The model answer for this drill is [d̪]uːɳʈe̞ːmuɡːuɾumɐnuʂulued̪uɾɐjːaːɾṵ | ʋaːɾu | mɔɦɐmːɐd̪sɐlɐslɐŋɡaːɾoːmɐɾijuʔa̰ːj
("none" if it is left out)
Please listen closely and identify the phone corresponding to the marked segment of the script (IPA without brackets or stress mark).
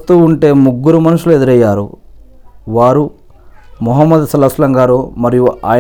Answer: t̪